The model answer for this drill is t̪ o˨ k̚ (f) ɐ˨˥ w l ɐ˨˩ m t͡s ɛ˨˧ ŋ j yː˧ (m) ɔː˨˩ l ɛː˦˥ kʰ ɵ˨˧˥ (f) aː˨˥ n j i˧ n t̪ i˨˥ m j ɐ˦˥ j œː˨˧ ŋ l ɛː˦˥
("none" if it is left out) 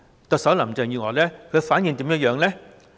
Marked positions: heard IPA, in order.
s, ŋ, f

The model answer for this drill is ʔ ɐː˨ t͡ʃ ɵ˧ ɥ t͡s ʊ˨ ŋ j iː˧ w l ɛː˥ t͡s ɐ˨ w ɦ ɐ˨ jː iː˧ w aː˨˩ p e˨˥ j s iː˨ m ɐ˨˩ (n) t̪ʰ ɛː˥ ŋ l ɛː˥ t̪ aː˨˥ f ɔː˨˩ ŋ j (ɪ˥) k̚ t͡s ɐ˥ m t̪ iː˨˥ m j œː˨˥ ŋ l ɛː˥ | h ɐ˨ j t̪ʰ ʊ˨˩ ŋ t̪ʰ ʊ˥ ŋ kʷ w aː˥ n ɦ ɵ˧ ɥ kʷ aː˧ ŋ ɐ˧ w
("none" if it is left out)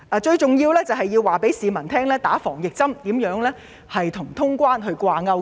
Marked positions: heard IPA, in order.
n, ɪ˨

